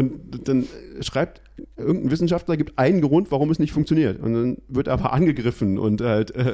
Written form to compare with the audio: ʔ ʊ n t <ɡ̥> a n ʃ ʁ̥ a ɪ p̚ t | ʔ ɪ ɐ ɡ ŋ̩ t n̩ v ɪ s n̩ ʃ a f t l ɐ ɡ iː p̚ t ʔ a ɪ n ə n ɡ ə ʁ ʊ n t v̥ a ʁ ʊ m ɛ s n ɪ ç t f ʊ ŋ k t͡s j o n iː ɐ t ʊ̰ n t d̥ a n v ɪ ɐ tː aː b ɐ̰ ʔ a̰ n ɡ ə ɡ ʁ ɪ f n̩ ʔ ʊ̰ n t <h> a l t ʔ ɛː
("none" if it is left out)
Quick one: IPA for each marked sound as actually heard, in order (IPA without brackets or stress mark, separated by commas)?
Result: d̥, h